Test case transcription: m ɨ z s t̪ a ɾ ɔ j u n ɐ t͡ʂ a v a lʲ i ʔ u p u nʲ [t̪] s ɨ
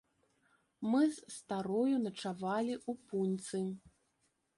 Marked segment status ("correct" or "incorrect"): correct